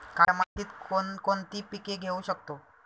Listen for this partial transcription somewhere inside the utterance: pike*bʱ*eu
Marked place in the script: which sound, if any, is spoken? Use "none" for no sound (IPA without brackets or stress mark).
ɡʱ